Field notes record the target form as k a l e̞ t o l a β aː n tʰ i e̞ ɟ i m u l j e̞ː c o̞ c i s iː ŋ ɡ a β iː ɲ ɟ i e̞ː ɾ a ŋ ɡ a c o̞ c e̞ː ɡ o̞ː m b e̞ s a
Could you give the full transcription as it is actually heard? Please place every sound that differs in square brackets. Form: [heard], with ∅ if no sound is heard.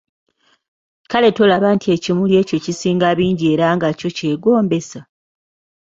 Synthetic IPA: k a l e̞ t o l a β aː n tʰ i e̞ [c] i m u l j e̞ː c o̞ c i s iː ŋ ɡ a β iː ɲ ɟ i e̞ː ɾ a ŋ ɡ a c o̞ c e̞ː ɡ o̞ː m b e̞ s a

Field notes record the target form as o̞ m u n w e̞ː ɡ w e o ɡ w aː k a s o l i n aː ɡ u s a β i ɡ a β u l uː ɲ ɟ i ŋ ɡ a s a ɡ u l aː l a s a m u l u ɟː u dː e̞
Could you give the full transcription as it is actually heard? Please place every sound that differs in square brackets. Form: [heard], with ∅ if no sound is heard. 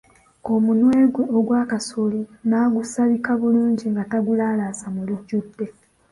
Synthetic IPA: o̞ m u n w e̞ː ɡ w e o ɡ w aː k a s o l i n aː ɡ u s a β i [k] a β u l uː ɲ ɟ i ŋ ɡ a [t] a ɡ u l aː l a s a m u l u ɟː u dː e̞

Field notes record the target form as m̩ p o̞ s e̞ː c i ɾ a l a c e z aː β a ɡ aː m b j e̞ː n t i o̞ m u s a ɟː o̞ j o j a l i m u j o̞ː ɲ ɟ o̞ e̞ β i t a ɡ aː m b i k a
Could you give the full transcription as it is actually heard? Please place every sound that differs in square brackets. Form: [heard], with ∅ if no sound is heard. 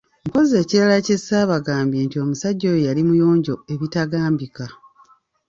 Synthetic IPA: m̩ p o̞ [z] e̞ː c i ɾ a l a c e [s] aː β a ɡ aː m b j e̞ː n t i o̞ m u s a ɟː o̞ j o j a l i m u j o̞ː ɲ ɟ o̞ e̞ β i t a ɡ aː m b i k a

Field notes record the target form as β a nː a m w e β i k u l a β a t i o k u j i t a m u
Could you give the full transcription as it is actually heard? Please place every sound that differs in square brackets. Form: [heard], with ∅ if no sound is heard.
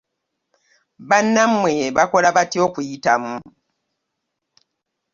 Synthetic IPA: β a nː a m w e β [a] k [o] l a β a t i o k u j i t a m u

